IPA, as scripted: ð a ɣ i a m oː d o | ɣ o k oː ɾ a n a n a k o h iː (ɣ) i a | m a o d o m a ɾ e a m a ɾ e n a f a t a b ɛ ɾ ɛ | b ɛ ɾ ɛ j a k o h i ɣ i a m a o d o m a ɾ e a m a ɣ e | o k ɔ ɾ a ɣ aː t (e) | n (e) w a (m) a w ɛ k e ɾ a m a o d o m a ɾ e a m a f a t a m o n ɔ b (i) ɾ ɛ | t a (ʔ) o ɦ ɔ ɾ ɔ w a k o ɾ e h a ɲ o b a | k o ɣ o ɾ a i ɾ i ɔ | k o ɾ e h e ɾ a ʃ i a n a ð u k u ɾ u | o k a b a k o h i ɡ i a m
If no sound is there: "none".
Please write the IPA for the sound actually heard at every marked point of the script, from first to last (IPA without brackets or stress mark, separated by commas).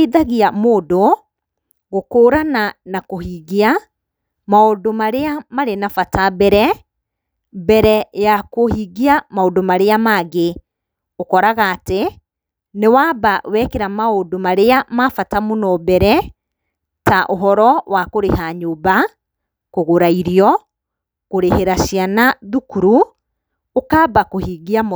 ɣ, e, e, b, ɛ, ʔ